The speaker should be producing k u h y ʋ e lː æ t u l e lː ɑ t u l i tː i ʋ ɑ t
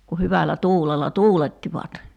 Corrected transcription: k u h y ʋ æ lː æ t uː l e lː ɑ t uː l e tː i ʋ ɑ t